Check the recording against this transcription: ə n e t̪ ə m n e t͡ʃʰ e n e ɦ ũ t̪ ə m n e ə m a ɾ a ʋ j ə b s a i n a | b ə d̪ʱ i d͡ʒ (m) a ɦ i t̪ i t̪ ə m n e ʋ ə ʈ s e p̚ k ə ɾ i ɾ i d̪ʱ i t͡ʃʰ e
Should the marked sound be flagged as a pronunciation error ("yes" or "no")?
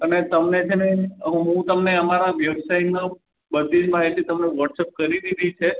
no